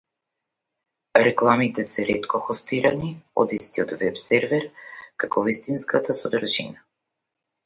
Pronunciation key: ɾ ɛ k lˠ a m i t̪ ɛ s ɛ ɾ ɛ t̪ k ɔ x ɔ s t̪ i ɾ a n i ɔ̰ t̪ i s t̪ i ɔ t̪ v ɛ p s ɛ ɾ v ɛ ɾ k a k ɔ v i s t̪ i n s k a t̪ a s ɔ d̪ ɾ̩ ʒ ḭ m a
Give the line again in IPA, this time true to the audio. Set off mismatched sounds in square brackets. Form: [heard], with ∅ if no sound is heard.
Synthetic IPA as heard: ɾ ɛ k lˠ a m i t̪ ɛ s ɛ ɾ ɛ t̪ k ɔ x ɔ s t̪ i ɾ a n i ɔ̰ [d̪] i s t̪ i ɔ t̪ v ɛ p s ɛ ɾ v ɛ ɾ k a k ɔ v i s t̪ i n s k a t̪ a s ɔ d̪ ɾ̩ ʒ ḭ [n] a